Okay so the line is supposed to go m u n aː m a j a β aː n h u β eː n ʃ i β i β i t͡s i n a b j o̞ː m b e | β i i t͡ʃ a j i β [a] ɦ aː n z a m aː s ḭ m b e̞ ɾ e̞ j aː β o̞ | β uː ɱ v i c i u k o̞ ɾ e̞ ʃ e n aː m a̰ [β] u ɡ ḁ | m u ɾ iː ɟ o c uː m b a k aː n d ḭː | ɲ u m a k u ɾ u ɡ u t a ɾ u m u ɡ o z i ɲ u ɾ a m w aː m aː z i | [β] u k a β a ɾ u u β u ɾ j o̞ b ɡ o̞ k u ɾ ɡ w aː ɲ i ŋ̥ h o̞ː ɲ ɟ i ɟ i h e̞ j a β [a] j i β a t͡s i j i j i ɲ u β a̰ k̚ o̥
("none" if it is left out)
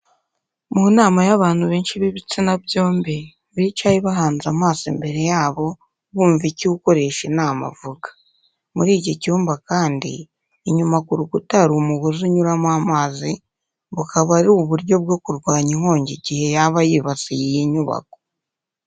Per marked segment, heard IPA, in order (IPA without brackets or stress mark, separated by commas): a, v, β, a